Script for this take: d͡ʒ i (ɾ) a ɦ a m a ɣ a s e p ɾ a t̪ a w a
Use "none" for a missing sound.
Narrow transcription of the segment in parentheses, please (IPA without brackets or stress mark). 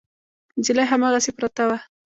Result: l